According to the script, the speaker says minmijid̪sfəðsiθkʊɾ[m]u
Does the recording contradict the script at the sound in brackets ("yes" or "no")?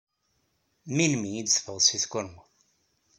no